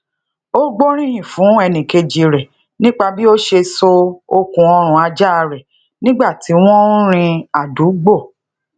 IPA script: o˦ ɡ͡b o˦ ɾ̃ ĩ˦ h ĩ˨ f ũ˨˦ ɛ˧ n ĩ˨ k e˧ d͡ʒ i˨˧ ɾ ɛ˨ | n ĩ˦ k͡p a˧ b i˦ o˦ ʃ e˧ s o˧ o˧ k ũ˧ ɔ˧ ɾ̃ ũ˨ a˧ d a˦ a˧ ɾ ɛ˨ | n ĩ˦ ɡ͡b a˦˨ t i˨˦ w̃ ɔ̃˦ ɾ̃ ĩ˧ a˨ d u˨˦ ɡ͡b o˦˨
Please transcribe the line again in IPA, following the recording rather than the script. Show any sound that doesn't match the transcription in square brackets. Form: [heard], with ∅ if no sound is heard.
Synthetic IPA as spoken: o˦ ɡ͡b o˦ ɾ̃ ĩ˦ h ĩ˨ f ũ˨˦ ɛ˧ n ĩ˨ k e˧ d͡ʒ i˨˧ ɾ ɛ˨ | n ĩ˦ k͡p a˧ b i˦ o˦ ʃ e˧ s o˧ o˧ k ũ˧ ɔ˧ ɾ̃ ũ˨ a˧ [d͡ʒ] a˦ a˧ ɾ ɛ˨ | n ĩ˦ ɡ͡b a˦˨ t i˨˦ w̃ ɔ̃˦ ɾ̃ ĩ˧ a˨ d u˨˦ ɡ͡b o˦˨